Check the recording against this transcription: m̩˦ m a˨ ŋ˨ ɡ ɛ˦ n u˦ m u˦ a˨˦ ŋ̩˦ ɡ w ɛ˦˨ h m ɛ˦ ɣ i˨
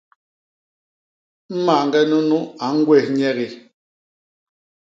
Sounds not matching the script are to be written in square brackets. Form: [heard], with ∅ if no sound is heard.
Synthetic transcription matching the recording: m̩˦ m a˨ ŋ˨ ɡ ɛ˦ n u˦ [n] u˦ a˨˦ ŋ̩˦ ɡ w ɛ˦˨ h [ɲ] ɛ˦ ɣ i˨